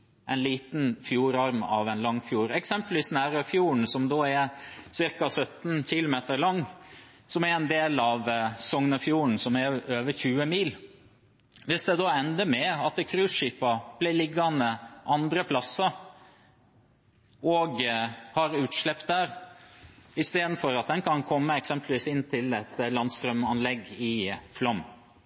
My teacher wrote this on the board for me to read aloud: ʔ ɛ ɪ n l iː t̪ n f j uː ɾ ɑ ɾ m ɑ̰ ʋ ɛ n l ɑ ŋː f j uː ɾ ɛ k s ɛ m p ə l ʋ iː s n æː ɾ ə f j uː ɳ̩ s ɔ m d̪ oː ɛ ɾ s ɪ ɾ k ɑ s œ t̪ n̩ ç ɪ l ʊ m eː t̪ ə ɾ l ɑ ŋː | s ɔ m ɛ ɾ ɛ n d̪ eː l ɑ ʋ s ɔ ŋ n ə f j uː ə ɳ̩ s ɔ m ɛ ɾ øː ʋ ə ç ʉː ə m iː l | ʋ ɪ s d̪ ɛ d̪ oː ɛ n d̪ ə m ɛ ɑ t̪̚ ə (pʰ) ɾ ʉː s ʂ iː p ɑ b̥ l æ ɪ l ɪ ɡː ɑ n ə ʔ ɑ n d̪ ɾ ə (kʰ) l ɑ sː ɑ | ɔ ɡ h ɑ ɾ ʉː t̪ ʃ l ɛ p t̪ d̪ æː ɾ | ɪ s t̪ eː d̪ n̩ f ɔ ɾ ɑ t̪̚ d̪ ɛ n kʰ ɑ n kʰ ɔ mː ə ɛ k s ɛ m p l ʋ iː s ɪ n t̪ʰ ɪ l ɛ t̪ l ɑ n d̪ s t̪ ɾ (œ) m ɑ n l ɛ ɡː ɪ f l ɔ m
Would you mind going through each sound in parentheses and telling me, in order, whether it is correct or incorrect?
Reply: incorrect: kʰ, incorrect: pʰ, correct

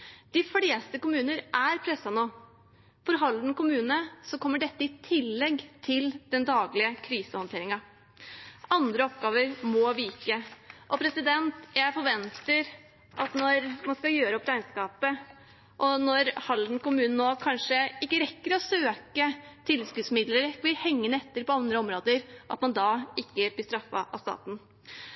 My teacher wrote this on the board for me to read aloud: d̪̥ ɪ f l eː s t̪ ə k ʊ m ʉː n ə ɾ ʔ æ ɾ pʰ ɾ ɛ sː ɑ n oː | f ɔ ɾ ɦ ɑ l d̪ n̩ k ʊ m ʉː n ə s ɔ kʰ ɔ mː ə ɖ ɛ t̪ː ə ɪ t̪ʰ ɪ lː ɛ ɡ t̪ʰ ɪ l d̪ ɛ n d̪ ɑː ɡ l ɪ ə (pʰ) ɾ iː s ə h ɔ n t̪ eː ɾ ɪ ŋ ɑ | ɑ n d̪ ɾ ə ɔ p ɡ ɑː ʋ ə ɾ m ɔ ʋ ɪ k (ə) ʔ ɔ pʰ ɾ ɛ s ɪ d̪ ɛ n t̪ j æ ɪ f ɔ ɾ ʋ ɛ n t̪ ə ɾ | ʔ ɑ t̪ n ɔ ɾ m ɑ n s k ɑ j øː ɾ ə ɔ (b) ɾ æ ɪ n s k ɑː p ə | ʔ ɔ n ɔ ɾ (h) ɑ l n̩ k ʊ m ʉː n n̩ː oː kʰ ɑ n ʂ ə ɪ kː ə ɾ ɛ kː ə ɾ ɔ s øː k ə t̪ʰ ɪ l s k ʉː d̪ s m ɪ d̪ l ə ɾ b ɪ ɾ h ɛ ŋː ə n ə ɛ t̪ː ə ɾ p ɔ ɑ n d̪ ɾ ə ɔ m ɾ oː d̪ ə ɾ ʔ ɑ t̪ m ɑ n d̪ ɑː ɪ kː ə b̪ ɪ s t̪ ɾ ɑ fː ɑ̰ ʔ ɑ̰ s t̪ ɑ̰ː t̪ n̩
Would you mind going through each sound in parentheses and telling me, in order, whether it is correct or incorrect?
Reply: incorrect: kʰ, correct, incorrect: p, correct

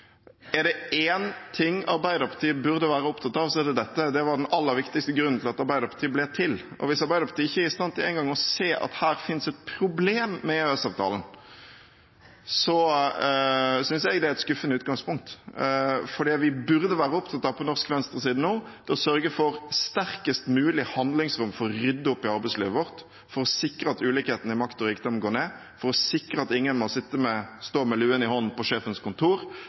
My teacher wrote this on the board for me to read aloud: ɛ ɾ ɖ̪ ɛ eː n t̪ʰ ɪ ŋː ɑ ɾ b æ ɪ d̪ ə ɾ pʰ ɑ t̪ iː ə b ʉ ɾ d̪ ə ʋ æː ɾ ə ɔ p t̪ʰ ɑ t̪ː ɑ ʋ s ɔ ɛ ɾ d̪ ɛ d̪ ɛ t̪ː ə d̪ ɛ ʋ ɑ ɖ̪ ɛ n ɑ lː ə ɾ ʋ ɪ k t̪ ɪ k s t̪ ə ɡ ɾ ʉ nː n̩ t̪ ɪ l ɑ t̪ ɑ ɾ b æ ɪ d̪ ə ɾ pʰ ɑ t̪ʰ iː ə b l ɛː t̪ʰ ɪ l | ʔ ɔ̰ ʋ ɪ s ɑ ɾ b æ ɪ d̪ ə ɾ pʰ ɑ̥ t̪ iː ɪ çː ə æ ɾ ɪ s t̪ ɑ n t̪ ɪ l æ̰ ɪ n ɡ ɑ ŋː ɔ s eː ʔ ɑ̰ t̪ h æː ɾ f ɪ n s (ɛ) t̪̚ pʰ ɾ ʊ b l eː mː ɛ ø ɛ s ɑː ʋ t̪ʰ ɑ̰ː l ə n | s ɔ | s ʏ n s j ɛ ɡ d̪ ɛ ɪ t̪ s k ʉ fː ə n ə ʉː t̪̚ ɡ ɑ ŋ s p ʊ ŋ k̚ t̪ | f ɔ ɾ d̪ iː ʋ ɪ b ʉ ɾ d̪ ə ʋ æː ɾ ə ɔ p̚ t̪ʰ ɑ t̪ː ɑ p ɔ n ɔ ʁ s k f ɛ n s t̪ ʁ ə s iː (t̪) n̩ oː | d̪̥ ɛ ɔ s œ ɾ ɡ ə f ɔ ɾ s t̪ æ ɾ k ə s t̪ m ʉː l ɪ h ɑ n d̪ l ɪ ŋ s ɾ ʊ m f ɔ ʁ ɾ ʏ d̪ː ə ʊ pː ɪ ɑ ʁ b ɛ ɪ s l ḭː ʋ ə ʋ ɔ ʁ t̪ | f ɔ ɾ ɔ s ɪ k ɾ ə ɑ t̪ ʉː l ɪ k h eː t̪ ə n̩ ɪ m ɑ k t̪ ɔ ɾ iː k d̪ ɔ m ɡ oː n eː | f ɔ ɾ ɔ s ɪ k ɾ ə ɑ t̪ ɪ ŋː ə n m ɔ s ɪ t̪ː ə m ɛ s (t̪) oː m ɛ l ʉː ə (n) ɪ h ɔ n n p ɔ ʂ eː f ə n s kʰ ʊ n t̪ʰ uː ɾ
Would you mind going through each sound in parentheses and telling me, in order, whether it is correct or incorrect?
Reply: correct, incorrect: d̪, correct, correct

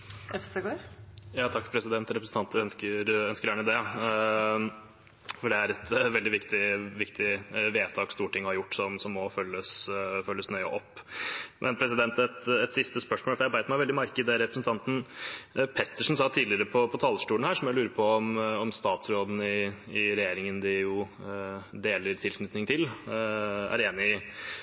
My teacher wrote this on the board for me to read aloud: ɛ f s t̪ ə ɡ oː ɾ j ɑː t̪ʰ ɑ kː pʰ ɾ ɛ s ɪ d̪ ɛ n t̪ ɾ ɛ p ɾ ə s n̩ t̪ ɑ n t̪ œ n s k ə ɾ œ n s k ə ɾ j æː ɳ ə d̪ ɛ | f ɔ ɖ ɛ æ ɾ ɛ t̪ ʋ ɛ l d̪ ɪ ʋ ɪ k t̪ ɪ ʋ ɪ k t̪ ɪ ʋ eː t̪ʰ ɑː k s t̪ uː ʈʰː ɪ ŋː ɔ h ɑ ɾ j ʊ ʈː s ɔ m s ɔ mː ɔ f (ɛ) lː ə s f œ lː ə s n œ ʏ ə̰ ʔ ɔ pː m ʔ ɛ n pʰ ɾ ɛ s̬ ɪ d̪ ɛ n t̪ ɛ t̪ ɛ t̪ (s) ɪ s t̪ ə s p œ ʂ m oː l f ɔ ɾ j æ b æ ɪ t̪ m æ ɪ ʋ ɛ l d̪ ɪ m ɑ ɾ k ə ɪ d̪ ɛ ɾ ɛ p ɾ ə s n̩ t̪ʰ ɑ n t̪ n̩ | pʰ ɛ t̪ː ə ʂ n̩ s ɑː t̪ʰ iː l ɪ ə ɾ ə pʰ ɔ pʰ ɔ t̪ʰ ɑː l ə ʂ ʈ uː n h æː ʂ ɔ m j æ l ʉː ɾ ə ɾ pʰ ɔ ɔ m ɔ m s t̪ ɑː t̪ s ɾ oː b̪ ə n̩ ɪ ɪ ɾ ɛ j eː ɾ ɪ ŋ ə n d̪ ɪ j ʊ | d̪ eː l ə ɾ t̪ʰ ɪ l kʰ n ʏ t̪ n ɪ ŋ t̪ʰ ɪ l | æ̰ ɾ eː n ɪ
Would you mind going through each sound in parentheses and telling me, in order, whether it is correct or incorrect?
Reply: incorrect: œ, correct

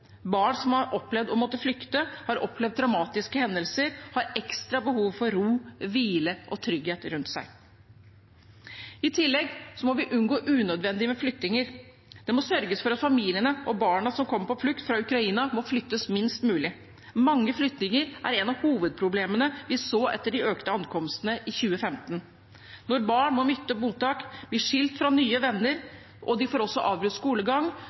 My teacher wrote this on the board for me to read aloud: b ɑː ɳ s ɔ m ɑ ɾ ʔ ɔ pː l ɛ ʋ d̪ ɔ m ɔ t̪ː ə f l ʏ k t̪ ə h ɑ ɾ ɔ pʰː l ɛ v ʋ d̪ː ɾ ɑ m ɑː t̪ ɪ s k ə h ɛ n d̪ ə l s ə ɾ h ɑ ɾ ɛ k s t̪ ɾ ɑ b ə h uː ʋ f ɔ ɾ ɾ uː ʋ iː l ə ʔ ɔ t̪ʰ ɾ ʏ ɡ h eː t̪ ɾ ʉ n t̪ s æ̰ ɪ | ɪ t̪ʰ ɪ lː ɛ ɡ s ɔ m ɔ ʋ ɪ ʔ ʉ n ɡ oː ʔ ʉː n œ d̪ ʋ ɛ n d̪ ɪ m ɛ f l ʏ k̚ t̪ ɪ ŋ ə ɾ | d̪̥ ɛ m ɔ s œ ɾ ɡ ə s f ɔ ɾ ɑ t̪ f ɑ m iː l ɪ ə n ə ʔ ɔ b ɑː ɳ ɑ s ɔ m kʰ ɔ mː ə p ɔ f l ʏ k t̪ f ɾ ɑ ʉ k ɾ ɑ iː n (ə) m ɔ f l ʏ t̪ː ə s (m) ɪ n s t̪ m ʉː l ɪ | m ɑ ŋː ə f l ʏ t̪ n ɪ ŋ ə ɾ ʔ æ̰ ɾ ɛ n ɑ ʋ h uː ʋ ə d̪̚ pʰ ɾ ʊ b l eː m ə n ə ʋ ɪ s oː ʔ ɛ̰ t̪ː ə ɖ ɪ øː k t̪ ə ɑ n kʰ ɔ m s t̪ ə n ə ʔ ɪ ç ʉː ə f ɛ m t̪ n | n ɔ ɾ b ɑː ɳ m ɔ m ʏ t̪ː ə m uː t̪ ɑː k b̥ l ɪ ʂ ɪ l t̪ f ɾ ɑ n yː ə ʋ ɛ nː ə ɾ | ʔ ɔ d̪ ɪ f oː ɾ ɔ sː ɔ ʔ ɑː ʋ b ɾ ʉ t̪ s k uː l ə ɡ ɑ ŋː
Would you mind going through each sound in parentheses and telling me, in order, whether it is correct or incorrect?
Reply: incorrect: ɑ, correct

